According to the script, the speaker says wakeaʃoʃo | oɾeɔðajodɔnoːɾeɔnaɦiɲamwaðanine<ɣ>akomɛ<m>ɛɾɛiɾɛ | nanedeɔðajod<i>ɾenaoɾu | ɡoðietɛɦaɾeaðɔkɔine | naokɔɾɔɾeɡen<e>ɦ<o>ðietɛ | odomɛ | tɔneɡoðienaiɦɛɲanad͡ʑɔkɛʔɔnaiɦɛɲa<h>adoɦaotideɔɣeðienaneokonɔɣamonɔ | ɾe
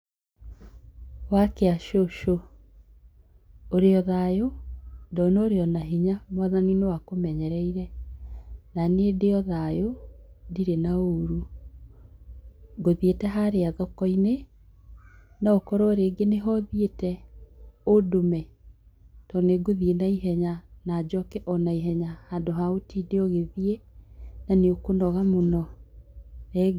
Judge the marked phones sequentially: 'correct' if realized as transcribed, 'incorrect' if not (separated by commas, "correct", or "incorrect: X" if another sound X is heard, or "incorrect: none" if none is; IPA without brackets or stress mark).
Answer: incorrect: w, incorrect: ɲ, correct, correct, incorrect: ɔ, correct